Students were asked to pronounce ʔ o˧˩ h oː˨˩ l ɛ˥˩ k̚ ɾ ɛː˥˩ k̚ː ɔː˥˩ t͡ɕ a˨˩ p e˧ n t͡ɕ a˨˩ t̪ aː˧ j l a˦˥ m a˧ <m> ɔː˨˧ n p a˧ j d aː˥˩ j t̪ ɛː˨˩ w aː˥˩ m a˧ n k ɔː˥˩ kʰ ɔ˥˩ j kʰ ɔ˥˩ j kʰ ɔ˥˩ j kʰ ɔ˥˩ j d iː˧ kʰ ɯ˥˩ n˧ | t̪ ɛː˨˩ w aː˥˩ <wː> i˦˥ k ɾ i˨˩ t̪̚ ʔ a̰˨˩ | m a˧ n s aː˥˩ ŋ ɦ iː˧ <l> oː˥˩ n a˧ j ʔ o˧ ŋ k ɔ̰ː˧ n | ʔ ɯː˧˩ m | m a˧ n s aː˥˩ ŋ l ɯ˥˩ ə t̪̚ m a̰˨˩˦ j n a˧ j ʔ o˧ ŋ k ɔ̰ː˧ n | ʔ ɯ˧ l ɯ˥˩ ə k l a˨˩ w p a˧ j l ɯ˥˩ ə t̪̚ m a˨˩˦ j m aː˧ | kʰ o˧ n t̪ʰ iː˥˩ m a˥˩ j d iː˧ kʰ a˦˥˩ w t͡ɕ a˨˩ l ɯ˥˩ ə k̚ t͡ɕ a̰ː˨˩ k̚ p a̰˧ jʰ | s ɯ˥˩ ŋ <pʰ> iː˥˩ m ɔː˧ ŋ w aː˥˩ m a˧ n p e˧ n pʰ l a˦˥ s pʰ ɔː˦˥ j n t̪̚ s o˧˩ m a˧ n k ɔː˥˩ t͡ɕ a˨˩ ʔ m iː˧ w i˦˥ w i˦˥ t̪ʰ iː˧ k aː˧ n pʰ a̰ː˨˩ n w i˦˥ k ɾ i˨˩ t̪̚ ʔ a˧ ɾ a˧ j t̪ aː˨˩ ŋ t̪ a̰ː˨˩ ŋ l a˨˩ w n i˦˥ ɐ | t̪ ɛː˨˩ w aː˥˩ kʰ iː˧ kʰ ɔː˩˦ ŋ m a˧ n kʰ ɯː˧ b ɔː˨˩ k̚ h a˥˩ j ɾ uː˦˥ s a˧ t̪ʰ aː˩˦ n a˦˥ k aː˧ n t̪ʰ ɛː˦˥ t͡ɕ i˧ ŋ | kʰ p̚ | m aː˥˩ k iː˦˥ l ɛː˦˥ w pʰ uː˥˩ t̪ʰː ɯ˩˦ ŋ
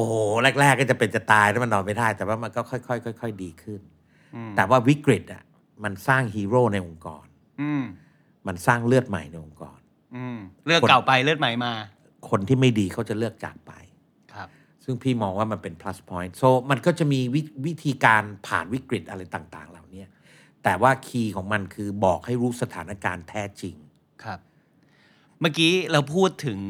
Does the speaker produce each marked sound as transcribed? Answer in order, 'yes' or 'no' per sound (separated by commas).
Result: no, no, no, yes